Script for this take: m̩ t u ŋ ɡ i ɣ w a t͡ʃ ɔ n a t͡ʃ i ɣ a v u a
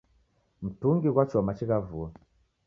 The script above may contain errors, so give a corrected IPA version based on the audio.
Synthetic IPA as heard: m̩ t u ŋ ɡ i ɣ w a t͡ʃ ɔ m a t͡ʃ i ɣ a v u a